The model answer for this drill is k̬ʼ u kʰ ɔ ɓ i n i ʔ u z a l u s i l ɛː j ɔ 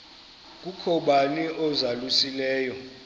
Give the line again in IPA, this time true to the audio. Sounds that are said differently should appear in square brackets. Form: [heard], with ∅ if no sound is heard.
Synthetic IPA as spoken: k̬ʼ u kʰ ɔ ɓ [a] n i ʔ [ɔ] z a l u s i l ɛː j ɔ